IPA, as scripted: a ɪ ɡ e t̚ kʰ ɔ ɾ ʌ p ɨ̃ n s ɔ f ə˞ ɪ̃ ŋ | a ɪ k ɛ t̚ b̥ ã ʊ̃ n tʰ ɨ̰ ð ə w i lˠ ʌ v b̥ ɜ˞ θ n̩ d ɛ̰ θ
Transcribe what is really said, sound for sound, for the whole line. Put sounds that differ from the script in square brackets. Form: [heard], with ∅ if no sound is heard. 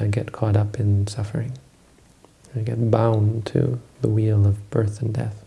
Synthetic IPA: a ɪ ɡ [ɛ] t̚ kʰ ɔ ɾ ʌ p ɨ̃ n s [ʌ] f ə˞ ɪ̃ ŋ | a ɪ [ɡ] ɛ t̚ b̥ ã ʊ̃ n tʰ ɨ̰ ð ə w i lˠ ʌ v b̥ ɜ˞ θ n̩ d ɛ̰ θ